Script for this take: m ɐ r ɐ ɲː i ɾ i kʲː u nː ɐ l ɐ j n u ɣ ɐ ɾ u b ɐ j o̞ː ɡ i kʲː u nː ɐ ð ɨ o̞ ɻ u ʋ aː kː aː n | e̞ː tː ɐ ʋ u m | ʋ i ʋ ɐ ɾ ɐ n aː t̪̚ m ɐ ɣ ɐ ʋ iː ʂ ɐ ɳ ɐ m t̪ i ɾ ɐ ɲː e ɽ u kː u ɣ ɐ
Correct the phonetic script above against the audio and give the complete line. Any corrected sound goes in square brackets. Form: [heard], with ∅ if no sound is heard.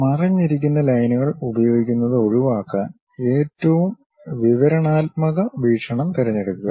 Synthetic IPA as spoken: m ɐ r ɐ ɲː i ɾ i kʲː u nː ɐ l ɐ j n u ɣ ɐ [ɭ] u b ɐ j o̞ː ɡ i kʲː u nː ɐ ð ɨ o̞ ɻ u ʋ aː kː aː n | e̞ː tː ɐ ʋ u m | ʋ i ʋ ɐ ɾ ɐ [ɳ] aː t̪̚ m ɐ ɣ ɐ ʋ iː ʂ ɐ ɳ ɐ m t̪ i ɾ ɐ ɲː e ɽ u kː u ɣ ɐ